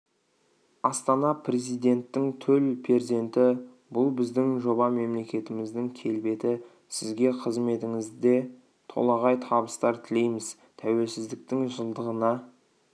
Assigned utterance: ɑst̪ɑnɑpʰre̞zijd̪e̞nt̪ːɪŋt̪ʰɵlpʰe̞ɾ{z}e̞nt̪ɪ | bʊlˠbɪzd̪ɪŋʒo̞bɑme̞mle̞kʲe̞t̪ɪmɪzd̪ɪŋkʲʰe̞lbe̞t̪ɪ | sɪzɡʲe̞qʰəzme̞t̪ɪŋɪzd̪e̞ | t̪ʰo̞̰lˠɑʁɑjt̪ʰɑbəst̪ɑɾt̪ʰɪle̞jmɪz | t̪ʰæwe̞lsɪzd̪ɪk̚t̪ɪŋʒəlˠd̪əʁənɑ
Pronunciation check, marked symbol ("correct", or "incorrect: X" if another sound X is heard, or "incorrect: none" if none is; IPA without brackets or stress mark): correct